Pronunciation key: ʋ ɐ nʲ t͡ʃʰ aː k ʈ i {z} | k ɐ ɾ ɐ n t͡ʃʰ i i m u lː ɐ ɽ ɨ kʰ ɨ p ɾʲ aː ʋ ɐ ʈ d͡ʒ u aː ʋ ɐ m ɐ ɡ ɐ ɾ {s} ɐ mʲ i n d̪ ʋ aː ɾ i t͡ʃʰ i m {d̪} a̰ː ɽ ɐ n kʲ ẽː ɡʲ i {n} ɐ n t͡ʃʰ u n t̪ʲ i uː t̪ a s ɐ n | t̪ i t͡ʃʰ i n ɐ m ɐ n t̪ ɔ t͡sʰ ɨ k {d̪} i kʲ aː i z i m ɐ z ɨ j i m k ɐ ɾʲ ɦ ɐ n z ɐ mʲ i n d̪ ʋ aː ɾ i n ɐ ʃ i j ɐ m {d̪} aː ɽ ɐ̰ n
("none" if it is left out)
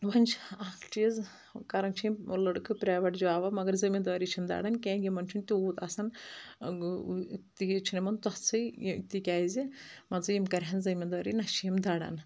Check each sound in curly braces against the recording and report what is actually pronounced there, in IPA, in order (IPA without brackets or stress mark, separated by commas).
z, z, d̪, m, t̪, d̪